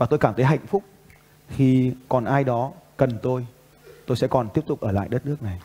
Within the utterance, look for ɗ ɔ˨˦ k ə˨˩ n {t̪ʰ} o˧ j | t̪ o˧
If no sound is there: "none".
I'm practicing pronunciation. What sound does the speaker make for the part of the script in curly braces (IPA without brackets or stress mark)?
t̪